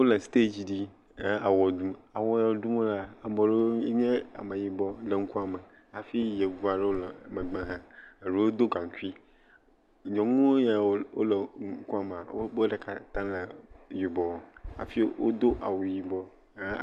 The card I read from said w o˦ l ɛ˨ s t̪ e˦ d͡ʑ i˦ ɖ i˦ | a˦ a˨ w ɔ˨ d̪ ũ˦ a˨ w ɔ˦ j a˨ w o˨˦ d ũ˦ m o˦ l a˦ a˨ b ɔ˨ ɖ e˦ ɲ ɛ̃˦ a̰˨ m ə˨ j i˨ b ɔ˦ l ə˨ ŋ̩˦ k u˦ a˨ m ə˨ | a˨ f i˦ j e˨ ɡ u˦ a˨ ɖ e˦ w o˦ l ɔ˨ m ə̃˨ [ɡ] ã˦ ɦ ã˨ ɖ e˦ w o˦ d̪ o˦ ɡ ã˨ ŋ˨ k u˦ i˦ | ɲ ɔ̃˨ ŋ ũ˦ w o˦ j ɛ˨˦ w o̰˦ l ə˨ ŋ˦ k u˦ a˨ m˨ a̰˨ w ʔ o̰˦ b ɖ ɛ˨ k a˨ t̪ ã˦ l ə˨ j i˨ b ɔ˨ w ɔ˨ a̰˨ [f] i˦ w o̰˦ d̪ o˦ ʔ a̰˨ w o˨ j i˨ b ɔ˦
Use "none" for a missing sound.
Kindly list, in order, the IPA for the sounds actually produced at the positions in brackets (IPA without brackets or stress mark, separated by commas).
ɡ͡b, f